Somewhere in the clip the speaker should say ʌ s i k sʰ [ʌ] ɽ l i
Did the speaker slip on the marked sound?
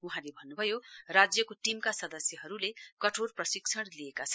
no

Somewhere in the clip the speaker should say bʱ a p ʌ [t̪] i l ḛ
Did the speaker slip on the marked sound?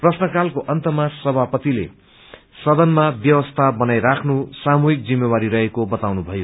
no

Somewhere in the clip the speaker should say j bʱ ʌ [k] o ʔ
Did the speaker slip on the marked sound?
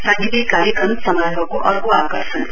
no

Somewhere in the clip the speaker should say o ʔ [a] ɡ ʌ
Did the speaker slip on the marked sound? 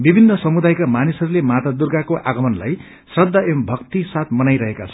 no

